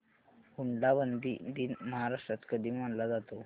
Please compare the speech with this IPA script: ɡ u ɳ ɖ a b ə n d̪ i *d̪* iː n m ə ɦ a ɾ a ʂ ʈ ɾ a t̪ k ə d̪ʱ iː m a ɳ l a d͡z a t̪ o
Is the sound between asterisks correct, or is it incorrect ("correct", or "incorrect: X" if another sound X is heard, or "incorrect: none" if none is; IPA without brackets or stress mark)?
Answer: correct